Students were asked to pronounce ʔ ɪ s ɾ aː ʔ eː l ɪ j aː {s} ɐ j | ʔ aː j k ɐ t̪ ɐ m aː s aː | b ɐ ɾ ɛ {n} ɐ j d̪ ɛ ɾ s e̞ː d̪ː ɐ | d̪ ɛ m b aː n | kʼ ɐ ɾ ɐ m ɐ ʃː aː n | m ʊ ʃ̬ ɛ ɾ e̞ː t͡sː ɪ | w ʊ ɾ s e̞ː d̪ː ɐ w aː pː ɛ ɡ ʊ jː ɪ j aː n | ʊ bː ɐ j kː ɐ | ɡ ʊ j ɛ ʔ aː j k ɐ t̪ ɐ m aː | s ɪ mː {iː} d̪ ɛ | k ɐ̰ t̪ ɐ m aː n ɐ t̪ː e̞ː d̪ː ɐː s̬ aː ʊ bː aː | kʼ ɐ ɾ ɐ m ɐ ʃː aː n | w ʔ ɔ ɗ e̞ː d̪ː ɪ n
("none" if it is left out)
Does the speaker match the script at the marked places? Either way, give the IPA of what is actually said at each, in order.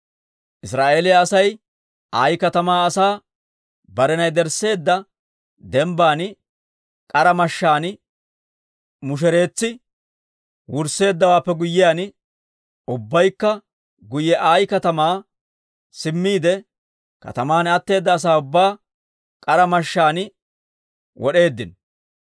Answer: s, n, iː

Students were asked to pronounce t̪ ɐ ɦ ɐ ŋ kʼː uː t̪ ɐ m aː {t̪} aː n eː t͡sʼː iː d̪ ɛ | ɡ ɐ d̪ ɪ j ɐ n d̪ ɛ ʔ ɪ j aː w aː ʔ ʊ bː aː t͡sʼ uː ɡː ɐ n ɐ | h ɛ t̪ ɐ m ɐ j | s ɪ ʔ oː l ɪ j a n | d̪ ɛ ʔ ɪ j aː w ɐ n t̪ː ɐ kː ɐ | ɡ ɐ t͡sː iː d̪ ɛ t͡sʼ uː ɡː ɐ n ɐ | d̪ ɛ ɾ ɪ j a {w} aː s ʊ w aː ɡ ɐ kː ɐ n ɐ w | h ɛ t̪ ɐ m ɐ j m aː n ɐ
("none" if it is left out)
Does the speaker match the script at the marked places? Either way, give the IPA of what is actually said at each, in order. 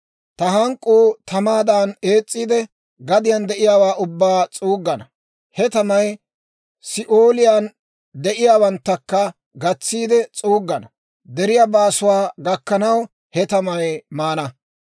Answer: d̪, b

